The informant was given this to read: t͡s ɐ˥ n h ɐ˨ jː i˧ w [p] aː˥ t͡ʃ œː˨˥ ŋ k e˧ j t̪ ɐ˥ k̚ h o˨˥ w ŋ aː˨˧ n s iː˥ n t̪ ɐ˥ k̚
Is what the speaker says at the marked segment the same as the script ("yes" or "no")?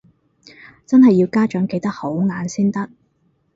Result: no